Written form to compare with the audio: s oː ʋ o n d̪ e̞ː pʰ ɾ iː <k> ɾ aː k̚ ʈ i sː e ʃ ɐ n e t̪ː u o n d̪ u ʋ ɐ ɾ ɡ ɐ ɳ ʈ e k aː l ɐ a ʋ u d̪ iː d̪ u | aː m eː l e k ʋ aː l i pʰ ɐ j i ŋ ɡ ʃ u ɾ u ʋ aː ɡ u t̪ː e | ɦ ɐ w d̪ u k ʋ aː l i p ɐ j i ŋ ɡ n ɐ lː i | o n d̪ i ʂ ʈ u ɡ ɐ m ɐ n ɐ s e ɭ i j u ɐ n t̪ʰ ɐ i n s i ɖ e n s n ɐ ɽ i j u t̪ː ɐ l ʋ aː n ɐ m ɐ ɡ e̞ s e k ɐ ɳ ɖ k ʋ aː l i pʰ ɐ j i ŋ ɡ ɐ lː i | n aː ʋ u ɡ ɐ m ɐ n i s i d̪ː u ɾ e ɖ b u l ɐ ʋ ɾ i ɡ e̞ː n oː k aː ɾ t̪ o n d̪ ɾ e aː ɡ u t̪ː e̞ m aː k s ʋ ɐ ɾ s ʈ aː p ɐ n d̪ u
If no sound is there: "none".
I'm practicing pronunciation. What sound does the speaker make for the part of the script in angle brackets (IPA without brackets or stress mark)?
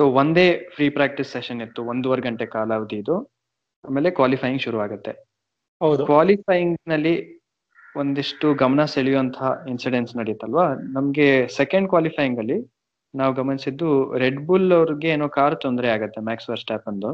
p